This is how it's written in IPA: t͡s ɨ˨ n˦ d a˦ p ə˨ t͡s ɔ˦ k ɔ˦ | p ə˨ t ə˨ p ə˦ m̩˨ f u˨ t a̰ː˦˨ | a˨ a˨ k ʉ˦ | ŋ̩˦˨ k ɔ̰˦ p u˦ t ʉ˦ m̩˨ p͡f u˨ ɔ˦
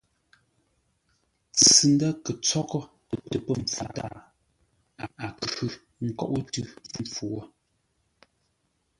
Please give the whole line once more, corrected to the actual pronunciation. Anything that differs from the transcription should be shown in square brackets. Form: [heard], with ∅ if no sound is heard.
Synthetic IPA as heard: t͡s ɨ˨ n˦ d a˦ [k] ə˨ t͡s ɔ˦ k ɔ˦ | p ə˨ t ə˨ p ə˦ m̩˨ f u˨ t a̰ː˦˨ | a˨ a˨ k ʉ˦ | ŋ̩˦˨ k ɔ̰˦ [ʔ] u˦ t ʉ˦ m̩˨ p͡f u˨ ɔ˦